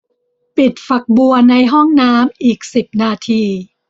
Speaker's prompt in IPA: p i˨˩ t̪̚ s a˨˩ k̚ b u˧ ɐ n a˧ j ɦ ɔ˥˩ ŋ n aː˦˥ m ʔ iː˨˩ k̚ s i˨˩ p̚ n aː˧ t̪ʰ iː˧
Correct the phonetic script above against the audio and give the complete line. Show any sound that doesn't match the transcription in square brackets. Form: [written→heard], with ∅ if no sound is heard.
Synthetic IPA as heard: p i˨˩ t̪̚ [s→f] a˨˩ k̚ b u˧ ɐ n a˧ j ɦ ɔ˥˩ ŋ n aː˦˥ m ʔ iː˨˩ k̚ s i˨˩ p̚ n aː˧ t̪ʰ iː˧